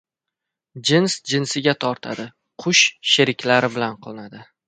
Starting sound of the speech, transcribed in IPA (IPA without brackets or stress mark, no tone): d͡ʒ